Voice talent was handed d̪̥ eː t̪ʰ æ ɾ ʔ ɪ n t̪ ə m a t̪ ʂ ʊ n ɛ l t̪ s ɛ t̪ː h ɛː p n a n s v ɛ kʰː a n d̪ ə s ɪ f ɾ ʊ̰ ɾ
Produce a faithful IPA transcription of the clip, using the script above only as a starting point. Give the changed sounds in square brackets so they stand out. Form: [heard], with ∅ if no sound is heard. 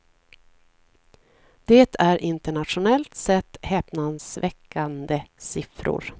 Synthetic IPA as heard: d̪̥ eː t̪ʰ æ ɾ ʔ ɪ n t̪ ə [ɳ] a t̪ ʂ ʊ n ɛ l t̪ s ɛ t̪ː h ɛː p n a n s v ɛ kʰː a n d̪ ə s ɪ f ɾ ʊ̰ ɾ

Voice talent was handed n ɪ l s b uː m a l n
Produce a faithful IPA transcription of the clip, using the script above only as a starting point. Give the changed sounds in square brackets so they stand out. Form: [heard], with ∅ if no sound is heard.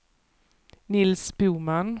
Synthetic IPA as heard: n ɪ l s b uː m a [∅] n

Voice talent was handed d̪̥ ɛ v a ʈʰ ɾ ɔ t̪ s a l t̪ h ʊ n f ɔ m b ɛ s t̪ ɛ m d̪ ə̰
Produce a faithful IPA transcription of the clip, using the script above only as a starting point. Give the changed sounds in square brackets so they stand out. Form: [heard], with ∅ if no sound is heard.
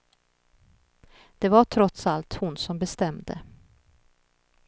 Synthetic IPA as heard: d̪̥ ɛ v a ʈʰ ɾ ɔ t̪ s a l t̪ h ʊ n [s] ɔ m b ɛ s t̪ ɛ m d̪ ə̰

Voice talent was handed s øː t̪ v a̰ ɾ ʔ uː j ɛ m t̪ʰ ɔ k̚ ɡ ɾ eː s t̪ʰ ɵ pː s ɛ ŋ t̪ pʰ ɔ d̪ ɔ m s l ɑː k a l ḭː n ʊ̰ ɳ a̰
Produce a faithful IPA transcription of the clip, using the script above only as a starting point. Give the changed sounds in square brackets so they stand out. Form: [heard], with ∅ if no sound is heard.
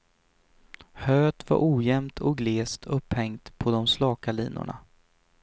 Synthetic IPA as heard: [h] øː t̪ v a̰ ɾ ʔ uː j ɛ m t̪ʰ ɔ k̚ ɡ [l] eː s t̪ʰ ɵ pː [h] ɛ ŋ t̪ pʰ ɔ d̪ ɔ m s l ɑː k a l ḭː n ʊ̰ ɳ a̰

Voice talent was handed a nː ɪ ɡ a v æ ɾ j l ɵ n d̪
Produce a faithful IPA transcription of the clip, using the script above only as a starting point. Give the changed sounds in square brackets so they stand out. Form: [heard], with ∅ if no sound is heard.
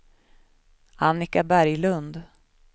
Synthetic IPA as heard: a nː ɪ [k] a [b] æ ɾ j l ɵ n d̪

